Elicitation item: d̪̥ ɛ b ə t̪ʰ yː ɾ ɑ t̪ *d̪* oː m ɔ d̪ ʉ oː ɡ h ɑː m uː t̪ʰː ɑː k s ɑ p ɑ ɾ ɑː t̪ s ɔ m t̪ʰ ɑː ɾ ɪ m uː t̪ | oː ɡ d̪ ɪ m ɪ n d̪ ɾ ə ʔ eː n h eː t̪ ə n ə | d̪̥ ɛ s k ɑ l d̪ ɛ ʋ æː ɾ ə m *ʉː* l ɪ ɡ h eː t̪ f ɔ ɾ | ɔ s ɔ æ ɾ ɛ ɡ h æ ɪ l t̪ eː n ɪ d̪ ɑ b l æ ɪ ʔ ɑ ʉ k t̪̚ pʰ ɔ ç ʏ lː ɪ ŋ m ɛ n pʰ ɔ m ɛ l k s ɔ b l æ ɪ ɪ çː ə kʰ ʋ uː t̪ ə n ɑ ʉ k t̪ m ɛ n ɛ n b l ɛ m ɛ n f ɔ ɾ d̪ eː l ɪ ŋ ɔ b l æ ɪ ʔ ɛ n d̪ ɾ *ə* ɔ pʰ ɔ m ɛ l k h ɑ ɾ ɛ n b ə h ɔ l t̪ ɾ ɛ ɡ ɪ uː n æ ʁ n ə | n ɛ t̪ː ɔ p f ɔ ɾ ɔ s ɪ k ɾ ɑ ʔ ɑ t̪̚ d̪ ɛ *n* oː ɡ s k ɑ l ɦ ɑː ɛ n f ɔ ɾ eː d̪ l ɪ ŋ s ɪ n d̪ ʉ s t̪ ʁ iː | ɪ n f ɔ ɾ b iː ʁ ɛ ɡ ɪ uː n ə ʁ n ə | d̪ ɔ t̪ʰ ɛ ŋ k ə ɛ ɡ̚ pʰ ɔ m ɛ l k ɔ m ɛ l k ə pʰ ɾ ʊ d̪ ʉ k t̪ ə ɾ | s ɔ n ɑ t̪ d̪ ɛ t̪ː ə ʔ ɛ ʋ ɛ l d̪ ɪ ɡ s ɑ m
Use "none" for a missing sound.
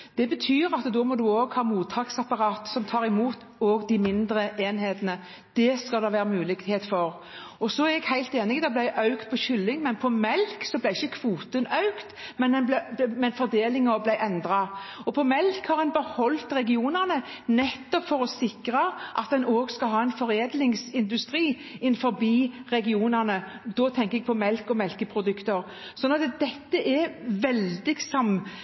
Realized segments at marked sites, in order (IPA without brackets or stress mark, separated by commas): d̪, ʉː, ɑ, n